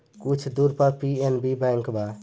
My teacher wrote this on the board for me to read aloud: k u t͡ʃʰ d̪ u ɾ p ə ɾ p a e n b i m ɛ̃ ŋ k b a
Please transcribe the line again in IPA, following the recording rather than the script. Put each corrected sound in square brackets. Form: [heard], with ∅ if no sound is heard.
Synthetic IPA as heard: k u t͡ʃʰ d̪ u ɾ p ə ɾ p [i] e n b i [b] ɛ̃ ŋ k b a

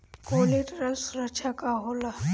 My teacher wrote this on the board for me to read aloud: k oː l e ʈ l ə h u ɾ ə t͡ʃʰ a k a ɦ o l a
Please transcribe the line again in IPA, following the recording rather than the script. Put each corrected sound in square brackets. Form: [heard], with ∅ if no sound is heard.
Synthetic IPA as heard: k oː l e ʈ [ɾ] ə [s] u ɾ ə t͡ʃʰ a k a ɦ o l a

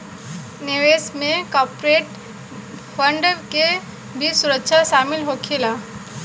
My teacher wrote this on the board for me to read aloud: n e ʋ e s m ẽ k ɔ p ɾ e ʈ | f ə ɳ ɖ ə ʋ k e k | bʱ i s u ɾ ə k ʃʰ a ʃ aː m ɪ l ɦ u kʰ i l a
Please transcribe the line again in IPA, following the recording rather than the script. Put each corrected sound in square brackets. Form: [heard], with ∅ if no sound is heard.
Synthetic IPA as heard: n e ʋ e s m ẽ k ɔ p ɾ e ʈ | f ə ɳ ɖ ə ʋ k e [∅] | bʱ i s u ɾ ə k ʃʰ a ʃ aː m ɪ l ɦ [o] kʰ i l a

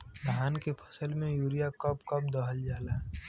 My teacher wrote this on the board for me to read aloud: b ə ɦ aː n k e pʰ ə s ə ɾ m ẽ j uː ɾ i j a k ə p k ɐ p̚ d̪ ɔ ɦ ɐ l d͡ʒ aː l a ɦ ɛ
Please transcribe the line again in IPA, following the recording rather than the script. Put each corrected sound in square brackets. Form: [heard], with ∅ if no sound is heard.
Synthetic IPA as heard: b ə ɦ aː n k e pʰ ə s ə [l] m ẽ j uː ɾ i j a k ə p k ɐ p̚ d̪ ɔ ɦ [ə] l d͡ʒ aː l a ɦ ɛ

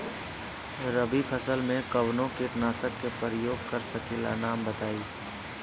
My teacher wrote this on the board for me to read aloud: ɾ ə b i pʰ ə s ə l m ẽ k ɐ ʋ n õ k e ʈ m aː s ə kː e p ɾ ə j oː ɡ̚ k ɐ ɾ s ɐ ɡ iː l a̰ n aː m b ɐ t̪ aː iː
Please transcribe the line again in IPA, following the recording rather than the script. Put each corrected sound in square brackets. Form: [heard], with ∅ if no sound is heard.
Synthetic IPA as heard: ɾ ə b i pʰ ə s ə l m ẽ k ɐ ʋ n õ k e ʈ [n] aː s ə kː e p ɾ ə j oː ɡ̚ k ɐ ɾ s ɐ [k] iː l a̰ n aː m b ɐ t̪ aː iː

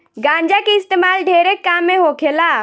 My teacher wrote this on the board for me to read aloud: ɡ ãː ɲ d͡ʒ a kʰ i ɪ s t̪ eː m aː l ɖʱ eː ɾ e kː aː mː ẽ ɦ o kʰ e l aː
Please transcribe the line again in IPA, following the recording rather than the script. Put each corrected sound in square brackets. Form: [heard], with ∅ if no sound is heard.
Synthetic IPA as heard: ɡ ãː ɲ d͡ʒ a [k] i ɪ s t̪ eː m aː l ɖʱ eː ɾ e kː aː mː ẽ ɦ o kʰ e l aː

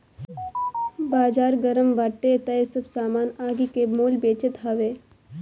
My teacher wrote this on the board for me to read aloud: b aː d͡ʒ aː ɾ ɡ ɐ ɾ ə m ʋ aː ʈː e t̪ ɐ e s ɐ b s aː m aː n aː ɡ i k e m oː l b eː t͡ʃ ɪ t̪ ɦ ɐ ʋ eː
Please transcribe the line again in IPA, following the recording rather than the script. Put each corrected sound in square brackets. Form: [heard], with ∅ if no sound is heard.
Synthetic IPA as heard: b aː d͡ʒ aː ɾ ɡ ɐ ɾ ə m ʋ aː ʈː e t̪ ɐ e s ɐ b s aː m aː n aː ɡ i k e m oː l b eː t͡ʃ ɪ t̪ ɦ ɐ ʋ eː

